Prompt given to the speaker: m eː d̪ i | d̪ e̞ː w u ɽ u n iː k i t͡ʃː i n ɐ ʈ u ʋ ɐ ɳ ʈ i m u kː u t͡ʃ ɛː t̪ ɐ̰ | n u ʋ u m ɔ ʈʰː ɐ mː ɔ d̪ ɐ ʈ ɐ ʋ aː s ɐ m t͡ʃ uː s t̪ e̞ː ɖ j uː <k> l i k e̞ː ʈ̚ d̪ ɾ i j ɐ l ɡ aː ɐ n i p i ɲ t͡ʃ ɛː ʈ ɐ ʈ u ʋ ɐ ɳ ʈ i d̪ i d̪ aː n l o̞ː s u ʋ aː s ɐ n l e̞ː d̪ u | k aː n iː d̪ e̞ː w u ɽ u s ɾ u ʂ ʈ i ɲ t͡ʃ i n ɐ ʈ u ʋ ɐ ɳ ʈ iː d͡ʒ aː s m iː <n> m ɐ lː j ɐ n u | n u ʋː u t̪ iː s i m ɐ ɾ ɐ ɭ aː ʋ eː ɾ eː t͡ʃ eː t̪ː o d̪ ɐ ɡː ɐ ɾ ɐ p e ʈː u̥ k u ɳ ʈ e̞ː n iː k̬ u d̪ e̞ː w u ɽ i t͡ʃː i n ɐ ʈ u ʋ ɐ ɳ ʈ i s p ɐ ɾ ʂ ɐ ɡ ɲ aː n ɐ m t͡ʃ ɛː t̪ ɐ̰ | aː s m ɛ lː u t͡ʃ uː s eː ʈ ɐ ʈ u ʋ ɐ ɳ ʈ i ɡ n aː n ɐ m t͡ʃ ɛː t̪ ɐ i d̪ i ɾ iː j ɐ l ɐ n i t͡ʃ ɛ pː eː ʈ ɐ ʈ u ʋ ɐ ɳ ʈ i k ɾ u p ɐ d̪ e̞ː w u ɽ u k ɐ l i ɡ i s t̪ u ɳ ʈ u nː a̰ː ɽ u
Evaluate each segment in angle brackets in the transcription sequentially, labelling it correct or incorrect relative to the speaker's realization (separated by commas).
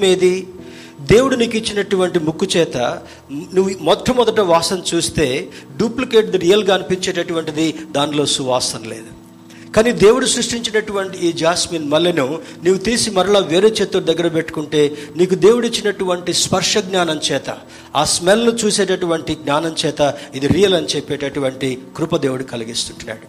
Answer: incorrect, correct